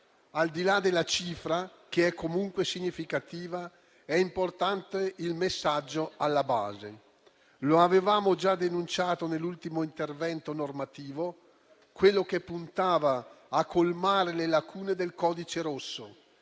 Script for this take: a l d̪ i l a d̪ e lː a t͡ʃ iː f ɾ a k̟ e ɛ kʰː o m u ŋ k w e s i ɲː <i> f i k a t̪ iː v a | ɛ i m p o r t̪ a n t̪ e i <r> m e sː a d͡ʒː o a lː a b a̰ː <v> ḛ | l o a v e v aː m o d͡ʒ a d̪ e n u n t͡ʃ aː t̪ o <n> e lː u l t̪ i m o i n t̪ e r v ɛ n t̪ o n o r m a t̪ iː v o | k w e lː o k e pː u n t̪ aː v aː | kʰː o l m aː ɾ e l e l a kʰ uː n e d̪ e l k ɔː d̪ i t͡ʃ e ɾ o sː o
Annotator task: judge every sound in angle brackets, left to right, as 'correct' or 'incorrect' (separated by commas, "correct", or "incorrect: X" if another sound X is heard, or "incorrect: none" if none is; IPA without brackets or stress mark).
correct, incorrect: l, incorrect: z, correct